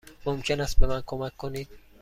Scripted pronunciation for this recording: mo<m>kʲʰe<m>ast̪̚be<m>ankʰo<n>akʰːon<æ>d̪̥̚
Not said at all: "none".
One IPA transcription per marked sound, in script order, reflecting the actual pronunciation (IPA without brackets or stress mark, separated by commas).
m, n, m, m, i